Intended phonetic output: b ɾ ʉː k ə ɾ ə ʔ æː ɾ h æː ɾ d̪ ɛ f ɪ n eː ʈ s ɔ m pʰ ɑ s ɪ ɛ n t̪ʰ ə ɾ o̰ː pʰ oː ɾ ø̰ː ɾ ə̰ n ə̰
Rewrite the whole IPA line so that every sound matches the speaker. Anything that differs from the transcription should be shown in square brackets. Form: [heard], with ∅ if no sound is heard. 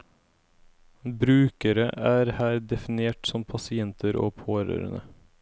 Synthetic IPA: b ɾ ʉː k ə ɾ ə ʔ æː ɾ h æː ɾ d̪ ɛ f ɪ n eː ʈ s ɔ m pʰ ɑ s ɪ ɛ n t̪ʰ ə ɾ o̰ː pʰ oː ɾ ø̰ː ɾ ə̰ n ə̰